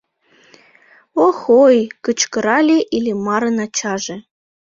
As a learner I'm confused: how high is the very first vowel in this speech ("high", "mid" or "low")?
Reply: mid